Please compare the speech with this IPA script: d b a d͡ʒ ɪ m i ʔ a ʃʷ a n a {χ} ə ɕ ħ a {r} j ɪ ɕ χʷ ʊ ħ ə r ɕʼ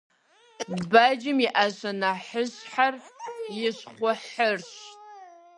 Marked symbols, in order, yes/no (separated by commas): no, yes